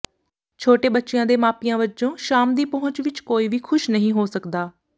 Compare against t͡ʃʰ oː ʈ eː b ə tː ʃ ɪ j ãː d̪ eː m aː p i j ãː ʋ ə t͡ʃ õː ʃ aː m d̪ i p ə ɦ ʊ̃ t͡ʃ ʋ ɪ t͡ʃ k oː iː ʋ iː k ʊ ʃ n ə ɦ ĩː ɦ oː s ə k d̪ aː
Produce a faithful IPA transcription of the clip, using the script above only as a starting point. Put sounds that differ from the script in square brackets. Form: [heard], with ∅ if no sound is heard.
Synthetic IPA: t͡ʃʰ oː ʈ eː b ə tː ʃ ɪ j ãː d̪ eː m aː p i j ãː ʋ ə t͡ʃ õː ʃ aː m d̪ [iː] p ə ɦ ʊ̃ t͡ʃ ʋ ɪ t͡ʃ k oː iː ʋ iː [kʰ] ʊ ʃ n ə ɦ ĩː ɦ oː s ə k d̪ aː